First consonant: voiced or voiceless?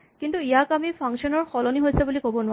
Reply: voiceless